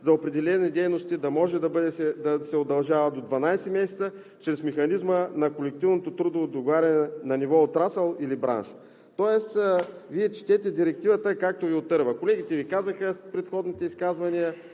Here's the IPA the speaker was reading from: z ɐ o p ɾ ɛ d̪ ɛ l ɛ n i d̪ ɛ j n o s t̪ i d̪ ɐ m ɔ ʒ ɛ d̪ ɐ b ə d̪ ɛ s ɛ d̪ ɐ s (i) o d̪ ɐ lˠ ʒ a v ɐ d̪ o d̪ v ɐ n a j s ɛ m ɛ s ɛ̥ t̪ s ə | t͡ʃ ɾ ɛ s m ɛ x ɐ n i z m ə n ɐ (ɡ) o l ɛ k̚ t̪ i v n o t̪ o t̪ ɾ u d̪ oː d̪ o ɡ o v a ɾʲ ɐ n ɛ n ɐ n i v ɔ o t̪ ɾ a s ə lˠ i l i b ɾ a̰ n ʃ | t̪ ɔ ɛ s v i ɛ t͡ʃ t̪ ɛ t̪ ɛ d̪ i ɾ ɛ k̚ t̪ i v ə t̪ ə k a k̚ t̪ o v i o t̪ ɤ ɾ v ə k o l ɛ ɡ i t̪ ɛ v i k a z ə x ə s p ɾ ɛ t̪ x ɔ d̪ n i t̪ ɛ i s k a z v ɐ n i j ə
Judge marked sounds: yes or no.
no, no

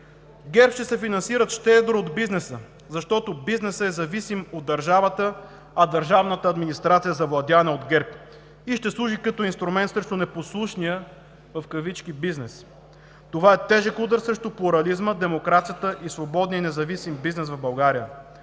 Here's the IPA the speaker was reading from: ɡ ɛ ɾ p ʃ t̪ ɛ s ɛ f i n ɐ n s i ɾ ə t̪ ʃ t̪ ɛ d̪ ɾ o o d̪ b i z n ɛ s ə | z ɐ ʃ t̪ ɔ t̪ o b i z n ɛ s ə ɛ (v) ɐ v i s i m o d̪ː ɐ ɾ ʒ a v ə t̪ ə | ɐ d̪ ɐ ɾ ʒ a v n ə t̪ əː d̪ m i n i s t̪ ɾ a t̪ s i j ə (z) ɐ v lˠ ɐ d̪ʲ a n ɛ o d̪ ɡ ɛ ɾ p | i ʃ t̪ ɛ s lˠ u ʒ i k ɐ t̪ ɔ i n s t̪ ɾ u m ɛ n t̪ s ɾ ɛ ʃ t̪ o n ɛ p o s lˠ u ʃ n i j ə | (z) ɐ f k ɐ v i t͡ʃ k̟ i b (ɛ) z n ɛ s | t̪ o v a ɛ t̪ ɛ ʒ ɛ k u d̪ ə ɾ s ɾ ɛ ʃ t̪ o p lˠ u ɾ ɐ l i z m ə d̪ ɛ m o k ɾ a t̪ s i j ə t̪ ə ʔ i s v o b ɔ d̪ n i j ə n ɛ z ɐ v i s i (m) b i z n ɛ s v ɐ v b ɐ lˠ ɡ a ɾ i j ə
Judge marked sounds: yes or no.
no, yes, no, no, yes

